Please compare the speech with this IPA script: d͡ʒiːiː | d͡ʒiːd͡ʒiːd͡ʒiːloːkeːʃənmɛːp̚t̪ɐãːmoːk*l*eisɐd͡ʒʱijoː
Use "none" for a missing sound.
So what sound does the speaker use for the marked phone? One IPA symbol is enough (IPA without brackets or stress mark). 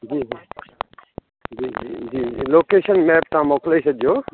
l